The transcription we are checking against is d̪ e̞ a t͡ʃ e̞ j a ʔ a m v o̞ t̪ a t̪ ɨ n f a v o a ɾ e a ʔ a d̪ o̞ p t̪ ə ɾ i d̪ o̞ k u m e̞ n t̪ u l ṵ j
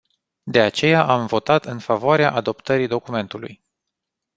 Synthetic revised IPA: d̪ e̞ a t͡ʃ e̞ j a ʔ a m v o̞ t̪ a t̪ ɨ n f a v o a ɾ e a ʔ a d̪ o̞ p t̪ ə ɾ i d̪ o̞ k u m e̞ n t̪ u l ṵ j